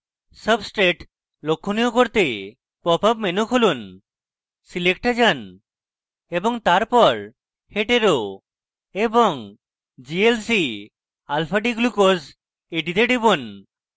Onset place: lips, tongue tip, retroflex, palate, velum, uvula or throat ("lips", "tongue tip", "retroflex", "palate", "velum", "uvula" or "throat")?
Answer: tongue tip